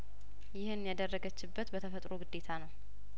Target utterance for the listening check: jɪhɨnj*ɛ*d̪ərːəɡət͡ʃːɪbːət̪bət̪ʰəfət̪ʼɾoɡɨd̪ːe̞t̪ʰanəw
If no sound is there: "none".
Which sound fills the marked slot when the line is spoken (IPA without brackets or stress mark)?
a